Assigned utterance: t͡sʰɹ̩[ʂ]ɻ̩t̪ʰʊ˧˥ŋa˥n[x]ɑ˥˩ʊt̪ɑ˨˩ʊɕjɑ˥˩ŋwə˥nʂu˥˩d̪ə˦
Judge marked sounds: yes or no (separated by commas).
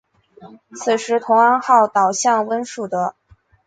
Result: yes, yes